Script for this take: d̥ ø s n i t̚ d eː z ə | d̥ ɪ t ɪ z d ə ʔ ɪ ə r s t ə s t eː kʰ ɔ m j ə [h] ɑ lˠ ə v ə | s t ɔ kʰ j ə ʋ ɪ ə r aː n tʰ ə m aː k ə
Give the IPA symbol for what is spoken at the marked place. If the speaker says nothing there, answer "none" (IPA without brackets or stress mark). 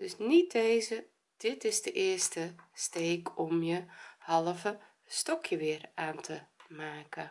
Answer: h